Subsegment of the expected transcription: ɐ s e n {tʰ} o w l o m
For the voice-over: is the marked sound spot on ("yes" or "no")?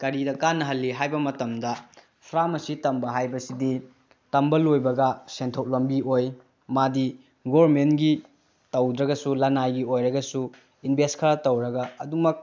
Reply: yes